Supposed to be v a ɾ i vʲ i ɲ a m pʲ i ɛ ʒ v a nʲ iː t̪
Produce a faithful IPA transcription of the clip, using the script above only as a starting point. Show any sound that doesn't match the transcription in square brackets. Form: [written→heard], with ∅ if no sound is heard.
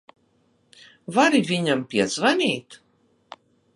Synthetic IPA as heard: v a ɾ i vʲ i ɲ a m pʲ i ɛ [ʒ→z] v a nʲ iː t̪

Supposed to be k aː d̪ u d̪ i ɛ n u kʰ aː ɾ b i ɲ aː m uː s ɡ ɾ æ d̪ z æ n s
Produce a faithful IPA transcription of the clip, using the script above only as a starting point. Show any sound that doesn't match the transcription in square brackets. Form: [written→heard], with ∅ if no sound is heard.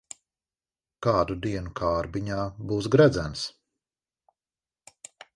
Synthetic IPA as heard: k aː d̪ u d̪ i ɛ n u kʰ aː ɾ b i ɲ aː [m→b] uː s ɡ ɾ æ d̪ z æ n s

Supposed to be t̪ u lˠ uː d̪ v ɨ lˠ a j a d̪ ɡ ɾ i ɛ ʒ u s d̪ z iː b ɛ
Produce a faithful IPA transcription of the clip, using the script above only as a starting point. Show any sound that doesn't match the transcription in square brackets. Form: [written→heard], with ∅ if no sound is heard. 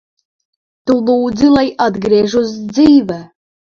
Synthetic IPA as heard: t̪ u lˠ uː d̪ [v→z] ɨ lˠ a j a d̪ ɡ ɾ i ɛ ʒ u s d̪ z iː [b→v] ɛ

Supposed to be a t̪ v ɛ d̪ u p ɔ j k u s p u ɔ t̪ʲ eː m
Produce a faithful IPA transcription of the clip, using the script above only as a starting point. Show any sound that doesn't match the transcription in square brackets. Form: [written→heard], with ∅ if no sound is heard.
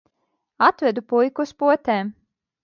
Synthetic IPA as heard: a t̪ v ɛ d̪ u p [ɔ→u] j k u s p u ɔ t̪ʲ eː m

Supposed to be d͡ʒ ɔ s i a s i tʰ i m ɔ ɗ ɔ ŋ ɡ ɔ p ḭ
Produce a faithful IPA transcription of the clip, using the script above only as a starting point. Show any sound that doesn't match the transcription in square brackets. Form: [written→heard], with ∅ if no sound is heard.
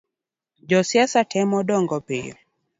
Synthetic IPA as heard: d͡ʒ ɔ s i a s [i→a] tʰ [i→ɛ] m ɔ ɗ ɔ ŋ ɡ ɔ p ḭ

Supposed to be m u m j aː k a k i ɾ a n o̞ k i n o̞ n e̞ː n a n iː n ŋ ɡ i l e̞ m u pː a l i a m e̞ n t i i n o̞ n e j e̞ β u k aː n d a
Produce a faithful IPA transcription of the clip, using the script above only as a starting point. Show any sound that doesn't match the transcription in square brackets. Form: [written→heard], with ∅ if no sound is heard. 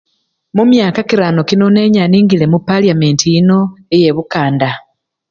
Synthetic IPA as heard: m u m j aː k a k i ɾ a n o̞ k i n o̞ n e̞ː [n→ɲ] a n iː [n→∅] ŋ ɡ i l e̞ m u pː a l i a m e̞ n t i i n o̞ [n→∅] e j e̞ β u k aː n d a

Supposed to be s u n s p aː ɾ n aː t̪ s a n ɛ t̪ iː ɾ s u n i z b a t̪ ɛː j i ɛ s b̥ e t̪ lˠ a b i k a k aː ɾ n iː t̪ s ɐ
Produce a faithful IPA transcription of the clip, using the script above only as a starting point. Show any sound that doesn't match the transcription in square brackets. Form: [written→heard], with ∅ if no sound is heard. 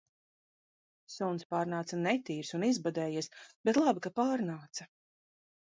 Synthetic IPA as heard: s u n s p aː ɾ n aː t̪ s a n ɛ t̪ iː ɾ s u n i z b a [t̪→d̪] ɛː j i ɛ s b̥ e t̪ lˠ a b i k a [k→p] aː ɾ n [iː→aː] t̪ s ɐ

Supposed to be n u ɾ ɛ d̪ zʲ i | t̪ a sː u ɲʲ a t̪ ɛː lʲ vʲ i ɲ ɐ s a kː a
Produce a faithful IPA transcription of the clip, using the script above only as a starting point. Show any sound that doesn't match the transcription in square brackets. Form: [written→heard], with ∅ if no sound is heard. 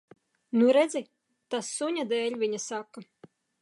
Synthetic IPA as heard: n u ɾ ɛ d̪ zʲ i | t̪ a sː u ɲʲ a [t̪→d̪] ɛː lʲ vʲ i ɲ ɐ s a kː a

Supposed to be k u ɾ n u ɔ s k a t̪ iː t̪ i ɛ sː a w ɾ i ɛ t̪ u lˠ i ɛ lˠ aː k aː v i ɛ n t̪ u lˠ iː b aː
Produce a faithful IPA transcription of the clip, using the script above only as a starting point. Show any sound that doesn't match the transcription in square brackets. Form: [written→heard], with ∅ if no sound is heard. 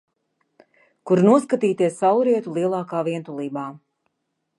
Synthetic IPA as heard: k u ɾ n u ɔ s k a t̪ iː t̪ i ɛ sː a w ɾ i ɛ t̪ u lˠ i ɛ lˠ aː k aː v i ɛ n t̪ u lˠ iː b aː

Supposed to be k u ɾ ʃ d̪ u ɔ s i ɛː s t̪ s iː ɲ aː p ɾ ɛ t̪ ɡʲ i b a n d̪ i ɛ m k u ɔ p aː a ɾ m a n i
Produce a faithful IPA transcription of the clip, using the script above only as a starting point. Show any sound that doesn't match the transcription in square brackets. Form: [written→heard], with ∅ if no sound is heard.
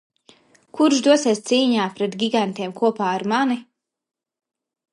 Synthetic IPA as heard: k u ɾ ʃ d̪ u ɔ s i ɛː s t̪ s iː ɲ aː p ɾ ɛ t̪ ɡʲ i [b→ɡ] a n [d̪→t̪] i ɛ m k u ɔ p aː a ɾ m a n i

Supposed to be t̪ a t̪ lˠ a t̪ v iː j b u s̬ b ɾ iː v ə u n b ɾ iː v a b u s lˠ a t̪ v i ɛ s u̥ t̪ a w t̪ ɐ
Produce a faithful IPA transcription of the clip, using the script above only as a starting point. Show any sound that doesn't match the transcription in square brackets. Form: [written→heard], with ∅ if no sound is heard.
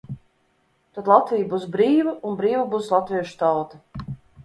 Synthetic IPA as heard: t̪ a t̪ lˠ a t̪ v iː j b u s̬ b ɾ iː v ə u n b ɾ iː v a b u s lˠ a t̪ v i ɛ [s→ʃ] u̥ t̪ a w t̪ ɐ

